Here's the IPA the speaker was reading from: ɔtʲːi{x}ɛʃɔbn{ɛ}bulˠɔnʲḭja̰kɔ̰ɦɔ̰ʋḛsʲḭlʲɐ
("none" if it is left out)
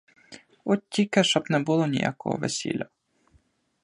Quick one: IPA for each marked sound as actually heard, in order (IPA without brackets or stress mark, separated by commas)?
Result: k, ɛ